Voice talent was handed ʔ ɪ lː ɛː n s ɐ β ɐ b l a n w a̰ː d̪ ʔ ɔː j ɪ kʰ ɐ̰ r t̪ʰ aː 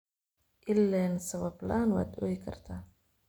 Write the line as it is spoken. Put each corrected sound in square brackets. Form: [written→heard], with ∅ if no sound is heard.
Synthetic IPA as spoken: ʔ ɪ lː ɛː n s ɐ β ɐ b l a n w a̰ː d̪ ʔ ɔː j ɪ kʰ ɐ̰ r t̪ʰ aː